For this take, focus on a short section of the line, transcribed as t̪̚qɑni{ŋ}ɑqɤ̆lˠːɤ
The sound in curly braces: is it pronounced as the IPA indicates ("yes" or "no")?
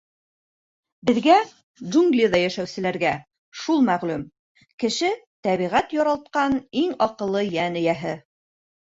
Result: yes